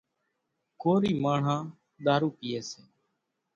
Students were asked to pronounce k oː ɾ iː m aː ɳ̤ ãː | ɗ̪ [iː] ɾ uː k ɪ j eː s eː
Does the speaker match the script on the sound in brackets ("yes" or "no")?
no